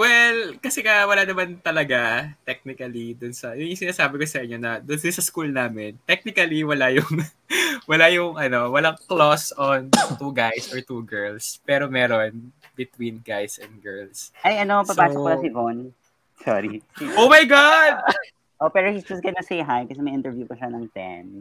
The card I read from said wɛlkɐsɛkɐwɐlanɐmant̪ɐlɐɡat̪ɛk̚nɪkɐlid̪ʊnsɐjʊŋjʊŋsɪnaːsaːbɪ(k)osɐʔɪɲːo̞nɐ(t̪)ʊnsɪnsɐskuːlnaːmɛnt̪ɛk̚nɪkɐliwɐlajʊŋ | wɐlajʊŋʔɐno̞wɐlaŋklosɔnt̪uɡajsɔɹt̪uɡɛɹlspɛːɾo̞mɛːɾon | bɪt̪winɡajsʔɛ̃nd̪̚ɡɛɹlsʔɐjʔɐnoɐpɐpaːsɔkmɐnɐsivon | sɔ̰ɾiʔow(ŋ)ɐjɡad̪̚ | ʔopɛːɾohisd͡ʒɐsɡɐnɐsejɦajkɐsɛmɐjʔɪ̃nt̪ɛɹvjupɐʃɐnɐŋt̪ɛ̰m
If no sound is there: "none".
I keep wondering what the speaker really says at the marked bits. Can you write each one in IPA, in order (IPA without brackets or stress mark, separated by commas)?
k, d̪, m